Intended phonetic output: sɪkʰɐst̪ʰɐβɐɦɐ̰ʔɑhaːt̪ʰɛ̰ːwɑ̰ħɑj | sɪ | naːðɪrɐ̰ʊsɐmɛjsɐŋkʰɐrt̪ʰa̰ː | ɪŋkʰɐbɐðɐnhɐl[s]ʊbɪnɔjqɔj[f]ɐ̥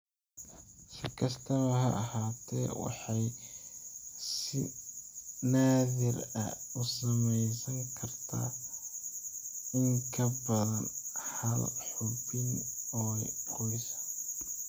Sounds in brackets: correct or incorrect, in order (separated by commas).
incorrect, incorrect